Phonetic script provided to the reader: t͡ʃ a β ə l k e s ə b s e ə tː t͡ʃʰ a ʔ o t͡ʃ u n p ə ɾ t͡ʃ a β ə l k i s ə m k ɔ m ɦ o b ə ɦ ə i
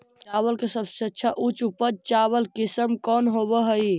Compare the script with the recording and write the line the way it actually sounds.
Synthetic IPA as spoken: t͡ʃ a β ə l k e s ə b s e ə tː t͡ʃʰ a ʔ u t͡ʃ u p ə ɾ t͡ʃ a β ə l k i s ə m k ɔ n ɦ o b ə ɦ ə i